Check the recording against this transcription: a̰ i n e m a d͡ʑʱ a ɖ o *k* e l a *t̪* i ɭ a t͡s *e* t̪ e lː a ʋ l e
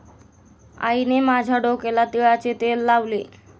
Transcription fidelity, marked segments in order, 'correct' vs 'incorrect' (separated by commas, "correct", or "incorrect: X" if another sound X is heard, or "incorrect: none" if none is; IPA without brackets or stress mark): correct, correct, correct